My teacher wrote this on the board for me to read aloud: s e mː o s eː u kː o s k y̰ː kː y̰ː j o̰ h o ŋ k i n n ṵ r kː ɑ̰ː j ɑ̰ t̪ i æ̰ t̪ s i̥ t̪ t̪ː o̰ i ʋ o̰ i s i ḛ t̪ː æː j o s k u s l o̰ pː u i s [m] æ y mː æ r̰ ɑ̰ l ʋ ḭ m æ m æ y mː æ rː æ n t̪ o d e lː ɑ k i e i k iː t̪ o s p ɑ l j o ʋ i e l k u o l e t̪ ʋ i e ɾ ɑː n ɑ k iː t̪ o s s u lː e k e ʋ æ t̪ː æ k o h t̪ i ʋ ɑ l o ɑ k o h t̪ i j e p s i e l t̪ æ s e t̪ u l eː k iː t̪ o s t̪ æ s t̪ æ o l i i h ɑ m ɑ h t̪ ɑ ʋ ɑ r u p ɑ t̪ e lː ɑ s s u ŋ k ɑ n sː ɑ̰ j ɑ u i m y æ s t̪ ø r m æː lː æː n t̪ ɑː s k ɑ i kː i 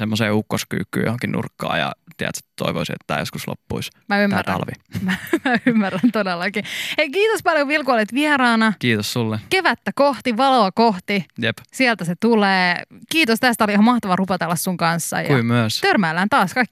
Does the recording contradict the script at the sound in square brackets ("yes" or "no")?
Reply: no